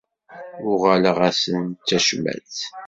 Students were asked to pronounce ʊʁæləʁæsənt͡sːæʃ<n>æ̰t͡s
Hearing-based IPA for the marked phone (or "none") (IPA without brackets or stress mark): m